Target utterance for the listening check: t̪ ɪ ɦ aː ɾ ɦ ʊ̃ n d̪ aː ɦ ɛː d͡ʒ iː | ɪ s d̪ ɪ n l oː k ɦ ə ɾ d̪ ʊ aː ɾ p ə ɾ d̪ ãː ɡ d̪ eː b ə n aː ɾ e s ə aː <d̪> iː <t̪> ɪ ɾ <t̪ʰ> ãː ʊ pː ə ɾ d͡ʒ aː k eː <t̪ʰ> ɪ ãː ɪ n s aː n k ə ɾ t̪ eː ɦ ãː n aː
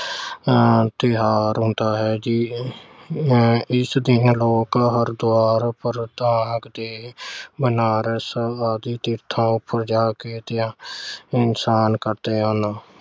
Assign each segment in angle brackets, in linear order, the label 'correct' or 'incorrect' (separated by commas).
correct, correct, correct, incorrect